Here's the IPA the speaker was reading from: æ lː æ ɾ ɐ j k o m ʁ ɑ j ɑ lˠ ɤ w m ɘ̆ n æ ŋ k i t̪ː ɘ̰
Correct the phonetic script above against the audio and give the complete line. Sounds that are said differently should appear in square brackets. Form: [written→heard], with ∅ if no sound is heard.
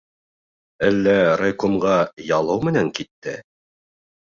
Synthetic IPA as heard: æ lː æ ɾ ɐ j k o m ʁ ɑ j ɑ lˠ ɤ w m ɘ̆ n æ ŋ k i t̪ː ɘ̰